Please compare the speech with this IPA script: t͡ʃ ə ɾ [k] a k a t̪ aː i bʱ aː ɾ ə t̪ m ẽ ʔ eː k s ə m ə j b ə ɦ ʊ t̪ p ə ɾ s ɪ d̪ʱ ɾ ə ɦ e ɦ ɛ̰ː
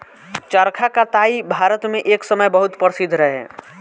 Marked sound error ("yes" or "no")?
yes